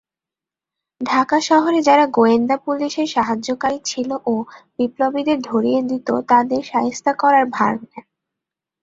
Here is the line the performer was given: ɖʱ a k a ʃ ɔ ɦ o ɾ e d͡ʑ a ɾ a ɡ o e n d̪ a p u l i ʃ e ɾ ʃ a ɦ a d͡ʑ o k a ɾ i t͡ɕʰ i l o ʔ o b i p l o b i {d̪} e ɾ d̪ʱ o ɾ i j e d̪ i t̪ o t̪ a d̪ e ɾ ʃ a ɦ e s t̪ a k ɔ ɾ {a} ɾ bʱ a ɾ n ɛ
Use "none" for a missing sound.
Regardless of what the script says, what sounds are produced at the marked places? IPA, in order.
d̪, a

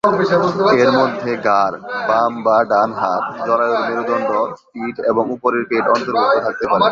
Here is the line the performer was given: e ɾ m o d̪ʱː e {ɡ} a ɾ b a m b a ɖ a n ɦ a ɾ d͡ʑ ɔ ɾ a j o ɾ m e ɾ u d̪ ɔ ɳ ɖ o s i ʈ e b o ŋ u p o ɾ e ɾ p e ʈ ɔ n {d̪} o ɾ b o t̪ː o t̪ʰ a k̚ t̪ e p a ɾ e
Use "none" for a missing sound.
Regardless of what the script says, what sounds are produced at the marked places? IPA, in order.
ɡ, t̪

